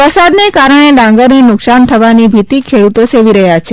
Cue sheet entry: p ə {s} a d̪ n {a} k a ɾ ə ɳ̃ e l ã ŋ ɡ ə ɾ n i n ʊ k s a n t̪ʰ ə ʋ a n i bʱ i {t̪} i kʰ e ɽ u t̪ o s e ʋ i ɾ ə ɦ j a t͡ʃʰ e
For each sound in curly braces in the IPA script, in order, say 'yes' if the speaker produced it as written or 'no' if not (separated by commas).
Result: yes, no, yes